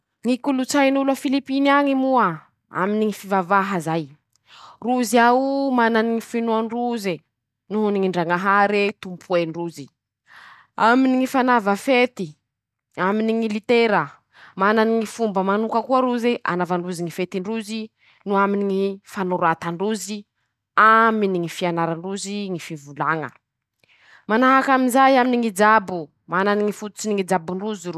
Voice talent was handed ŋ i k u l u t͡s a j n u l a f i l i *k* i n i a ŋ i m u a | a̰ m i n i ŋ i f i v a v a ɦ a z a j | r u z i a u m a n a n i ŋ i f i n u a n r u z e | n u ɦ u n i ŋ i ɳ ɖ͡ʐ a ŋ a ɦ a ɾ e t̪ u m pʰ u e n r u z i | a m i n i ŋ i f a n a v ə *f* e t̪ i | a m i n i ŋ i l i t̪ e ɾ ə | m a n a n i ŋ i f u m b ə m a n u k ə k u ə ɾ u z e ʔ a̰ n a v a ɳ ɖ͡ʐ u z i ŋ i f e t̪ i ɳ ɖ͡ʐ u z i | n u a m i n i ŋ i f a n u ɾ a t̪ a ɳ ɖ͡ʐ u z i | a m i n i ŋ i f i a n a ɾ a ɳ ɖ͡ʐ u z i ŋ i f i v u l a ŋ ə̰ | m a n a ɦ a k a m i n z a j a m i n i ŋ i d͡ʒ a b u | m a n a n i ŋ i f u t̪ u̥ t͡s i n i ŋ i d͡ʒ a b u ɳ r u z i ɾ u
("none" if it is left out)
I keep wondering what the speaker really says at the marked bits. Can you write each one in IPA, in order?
p, f

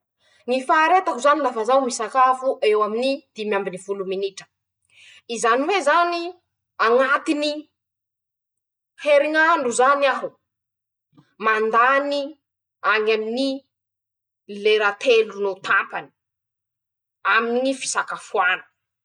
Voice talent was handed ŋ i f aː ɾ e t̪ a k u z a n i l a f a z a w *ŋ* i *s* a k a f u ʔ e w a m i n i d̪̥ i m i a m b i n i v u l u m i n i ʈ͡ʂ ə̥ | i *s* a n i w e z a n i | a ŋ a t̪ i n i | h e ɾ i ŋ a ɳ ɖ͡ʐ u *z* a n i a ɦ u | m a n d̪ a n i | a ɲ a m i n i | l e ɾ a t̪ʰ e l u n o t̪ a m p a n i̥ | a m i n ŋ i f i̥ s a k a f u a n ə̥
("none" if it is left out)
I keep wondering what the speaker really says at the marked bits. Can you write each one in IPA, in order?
m, s, z, z

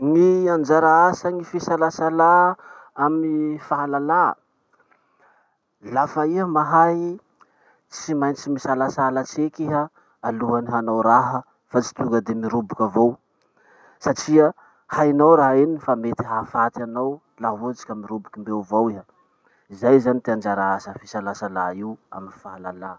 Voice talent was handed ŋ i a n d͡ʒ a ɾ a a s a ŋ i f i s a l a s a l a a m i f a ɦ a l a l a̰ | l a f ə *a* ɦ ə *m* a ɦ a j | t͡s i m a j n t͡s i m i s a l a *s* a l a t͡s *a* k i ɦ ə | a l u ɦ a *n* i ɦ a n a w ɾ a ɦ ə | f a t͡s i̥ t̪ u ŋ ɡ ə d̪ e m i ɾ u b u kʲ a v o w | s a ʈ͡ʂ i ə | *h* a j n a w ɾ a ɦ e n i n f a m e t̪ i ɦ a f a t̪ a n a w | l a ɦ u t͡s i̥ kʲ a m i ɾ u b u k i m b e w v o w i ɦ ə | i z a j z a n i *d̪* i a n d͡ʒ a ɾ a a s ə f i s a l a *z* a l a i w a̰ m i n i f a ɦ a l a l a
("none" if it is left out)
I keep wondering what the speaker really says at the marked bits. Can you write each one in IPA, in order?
i, m, s, e, n, h, t̪, s

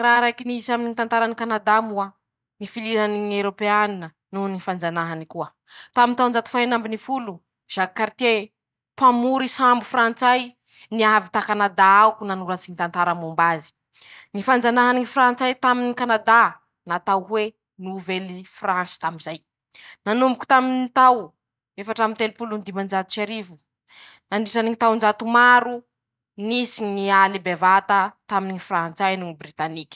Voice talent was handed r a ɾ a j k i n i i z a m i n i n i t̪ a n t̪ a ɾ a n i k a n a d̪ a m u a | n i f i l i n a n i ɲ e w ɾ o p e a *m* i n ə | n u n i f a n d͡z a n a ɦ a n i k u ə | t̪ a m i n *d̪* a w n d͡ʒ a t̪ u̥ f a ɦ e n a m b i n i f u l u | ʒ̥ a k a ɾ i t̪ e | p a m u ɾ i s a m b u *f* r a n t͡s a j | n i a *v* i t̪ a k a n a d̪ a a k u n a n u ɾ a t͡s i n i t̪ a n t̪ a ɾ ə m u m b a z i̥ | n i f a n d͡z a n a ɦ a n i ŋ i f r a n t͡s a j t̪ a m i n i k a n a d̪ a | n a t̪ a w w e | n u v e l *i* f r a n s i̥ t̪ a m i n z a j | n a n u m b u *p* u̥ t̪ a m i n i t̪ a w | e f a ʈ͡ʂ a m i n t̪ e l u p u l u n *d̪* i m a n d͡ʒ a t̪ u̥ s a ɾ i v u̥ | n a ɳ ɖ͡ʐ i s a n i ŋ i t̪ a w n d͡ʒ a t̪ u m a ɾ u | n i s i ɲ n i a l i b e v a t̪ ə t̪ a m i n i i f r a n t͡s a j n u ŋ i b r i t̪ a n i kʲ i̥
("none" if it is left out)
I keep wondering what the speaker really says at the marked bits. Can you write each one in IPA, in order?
n, t̪, f, v, i, k, d̪

